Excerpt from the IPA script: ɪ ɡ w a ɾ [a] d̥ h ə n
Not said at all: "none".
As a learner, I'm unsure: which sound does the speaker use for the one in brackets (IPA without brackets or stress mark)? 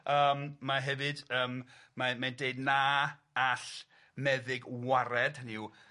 ɛ